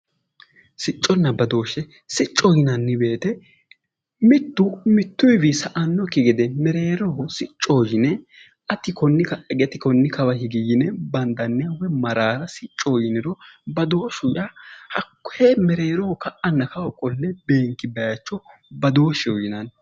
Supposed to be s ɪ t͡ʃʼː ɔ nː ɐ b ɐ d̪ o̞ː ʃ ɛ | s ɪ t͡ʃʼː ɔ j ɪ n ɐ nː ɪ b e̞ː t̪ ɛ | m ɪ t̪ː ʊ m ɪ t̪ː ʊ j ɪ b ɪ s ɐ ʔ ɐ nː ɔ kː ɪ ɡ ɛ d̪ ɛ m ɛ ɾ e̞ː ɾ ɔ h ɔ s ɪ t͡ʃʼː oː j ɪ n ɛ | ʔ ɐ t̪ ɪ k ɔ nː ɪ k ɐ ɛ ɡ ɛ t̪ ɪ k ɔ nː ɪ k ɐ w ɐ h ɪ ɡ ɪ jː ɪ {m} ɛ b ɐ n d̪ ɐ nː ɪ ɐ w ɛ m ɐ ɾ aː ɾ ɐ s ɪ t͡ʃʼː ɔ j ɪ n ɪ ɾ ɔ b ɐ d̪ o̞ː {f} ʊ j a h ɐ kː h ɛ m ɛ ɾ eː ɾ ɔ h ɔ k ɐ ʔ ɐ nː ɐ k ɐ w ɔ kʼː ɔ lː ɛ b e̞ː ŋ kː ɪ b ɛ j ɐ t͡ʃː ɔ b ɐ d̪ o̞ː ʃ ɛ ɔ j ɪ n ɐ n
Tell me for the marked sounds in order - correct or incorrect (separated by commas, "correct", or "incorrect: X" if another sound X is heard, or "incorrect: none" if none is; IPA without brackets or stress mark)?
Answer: incorrect: n, incorrect: ʃ